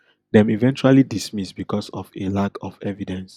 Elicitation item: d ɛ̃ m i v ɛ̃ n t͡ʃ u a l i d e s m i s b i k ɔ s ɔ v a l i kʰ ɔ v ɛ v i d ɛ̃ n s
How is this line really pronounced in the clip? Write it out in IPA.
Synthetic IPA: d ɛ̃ m i v ɛ̃ n t͡ʃ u a l i d i s m i s b i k ɔ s ɔ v e l a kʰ ɔ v ɛ v i d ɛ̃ n s